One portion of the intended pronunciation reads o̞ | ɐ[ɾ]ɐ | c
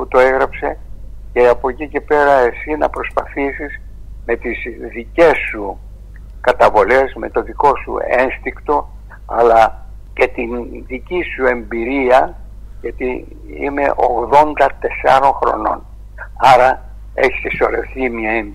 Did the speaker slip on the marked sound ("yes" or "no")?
yes